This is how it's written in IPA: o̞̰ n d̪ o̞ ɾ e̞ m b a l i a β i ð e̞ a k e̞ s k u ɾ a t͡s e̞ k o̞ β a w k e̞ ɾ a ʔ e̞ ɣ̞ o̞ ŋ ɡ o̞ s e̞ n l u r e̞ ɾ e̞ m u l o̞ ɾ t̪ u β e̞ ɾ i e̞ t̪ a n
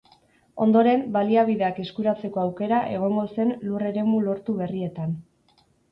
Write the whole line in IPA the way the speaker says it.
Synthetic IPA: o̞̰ n d̪ o̞ ɾ e̞ m b a l i a β i ð e̞ a k e̞ s k u ɾ a t͡s e̞ k o̞ a w k e̞ ɾ a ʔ e̞ ɣ̞ o̞ ŋ ɡ o̞ s e̞ n l u r e̞ ɾ e̞ m u l o̞ ɾ t̪ u β e̞ r i e̞ t̪ a n